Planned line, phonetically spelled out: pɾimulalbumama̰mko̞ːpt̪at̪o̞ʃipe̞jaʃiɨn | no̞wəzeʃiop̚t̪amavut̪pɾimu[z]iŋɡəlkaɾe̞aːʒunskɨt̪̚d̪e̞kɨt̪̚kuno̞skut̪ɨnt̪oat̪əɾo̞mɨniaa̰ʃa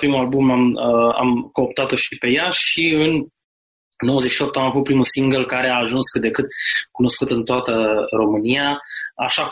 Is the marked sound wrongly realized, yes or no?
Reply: yes